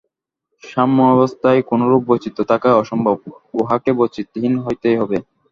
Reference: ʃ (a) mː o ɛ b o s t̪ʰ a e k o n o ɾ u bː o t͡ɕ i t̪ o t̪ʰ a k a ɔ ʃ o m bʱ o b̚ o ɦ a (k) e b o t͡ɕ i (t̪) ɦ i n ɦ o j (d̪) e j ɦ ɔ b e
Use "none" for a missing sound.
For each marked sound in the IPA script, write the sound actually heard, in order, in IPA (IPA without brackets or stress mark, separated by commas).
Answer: a, k, t̪, t̪